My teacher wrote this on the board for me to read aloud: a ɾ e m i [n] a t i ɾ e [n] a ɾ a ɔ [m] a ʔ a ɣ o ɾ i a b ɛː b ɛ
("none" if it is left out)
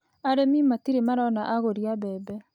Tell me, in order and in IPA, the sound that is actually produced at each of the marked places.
m, m, n

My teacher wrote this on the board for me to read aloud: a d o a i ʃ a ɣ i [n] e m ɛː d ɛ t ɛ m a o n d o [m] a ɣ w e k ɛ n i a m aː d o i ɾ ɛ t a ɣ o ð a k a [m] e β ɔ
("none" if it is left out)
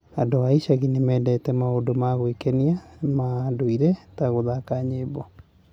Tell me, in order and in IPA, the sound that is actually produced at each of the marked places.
n, m, ɲ

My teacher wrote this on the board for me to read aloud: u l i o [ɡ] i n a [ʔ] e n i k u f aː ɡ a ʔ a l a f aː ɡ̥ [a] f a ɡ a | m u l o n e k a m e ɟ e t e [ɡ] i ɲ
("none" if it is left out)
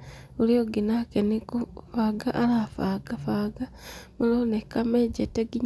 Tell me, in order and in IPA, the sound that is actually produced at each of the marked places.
ɡ, k, a, ɡ

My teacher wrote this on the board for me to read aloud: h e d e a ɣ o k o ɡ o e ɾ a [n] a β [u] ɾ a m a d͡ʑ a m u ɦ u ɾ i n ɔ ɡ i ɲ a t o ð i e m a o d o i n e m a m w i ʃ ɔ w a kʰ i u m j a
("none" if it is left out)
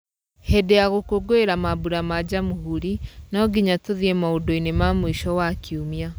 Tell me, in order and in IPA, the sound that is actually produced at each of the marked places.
m, u

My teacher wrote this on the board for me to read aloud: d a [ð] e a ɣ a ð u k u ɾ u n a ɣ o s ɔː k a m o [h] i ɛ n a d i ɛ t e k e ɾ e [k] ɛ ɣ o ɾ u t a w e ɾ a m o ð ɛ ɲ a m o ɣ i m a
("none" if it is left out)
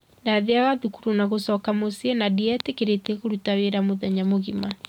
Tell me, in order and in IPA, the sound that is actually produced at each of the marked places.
ð, s, t

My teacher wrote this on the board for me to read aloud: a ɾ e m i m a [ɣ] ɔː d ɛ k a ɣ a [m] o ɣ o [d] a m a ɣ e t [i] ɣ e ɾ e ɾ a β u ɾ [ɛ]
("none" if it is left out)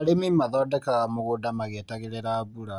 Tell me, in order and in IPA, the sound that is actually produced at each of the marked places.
ð, m, d, a, a

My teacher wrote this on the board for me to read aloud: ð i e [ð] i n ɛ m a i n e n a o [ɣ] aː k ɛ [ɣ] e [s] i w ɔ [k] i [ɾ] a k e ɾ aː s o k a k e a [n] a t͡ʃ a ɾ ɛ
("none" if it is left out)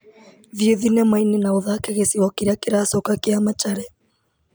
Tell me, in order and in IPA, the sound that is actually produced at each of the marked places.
ð, ð, ɣ, s, k, ɾ, m

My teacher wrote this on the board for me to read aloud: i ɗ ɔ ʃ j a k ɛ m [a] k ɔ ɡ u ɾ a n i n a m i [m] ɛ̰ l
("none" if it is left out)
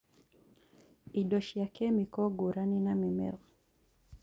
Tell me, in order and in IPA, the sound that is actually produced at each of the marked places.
i, m

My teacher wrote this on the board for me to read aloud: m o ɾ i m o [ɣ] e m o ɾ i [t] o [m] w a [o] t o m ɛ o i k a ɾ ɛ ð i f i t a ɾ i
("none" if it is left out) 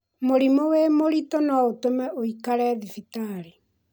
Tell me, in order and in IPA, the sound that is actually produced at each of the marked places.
w, t, n, o

